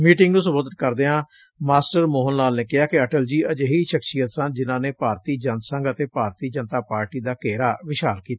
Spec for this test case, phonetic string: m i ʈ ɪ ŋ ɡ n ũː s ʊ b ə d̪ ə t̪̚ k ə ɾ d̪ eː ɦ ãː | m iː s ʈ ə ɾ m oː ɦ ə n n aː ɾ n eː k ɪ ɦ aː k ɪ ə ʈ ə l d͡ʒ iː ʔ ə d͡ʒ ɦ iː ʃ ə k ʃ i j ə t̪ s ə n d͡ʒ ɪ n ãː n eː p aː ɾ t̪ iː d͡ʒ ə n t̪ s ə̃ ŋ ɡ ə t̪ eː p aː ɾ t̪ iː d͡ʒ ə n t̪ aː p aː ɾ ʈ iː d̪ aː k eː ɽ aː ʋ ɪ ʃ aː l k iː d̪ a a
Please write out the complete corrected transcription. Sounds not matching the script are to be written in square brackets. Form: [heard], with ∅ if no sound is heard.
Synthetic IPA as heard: m [iː] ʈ ɪ ŋ ɡ n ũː s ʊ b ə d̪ ə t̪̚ k ə ɾ d̪ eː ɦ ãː | m [aː] s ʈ ə ɾ m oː ɦ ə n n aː [l] n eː k ɪ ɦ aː k ɪ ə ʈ ə l d͡ʒ iː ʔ ə d͡ʒ ɦ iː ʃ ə k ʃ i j ə t̪ s ə n d͡ʒ ɪ n ãː n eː p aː ɾ t̪ iː d͡ʒ ə n t̪ s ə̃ ŋ ɡ ə t̪ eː p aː ɾ t̪ iː d͡ʒ ə n t̪ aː p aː ɾ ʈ iː d̪ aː k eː [ɾ] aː ʋ ɪ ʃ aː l k iː [t̪] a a